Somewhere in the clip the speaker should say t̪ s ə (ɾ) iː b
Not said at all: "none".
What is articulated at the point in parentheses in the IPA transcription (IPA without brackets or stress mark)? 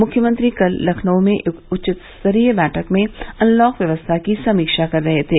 ɾ